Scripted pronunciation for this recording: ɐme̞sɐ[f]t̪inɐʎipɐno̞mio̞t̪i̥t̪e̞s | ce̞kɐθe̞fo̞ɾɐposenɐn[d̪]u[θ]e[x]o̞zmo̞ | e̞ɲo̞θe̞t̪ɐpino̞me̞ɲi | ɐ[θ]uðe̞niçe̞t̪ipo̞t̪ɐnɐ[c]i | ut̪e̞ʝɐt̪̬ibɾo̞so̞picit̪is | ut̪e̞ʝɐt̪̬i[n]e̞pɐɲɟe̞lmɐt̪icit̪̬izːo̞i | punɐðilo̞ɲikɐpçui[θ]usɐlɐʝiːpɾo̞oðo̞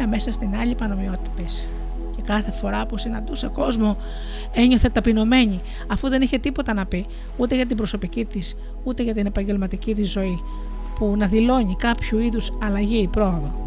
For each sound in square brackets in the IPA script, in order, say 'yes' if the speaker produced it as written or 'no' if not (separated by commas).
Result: no, yes, no, no, no, no, yes, no